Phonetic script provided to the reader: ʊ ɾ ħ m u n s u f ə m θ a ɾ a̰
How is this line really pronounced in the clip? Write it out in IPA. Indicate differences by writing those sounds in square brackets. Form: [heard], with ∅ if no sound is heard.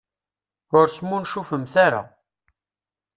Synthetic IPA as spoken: ʊ ɾ [s] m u n [ʃ] u f ə m θ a ɾ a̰